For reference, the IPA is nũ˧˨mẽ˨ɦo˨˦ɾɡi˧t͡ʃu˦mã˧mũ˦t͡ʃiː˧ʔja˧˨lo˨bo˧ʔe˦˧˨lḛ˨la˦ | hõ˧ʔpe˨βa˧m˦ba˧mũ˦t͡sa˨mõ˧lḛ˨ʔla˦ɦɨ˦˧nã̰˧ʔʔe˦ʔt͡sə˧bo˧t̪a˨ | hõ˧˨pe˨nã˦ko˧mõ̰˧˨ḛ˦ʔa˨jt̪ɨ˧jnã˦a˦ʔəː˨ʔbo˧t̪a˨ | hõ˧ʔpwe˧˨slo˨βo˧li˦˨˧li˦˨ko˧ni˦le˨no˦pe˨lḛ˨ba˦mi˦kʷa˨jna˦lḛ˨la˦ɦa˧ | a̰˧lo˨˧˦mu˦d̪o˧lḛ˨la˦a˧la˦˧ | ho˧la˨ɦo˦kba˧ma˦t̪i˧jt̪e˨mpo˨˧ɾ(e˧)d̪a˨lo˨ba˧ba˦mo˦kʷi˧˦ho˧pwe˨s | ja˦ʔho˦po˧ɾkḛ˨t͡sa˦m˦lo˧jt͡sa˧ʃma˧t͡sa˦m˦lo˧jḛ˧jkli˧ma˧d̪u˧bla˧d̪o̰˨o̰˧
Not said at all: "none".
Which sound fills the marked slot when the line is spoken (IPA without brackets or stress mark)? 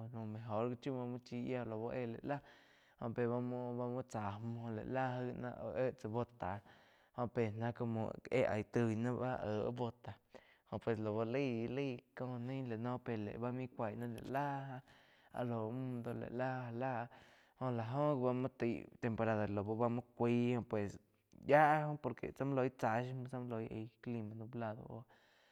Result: a˧